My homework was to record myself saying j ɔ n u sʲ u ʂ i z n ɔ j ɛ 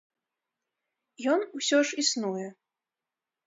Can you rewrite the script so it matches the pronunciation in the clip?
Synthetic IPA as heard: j ɔ n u sʲ ɔ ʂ i s n u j ɛ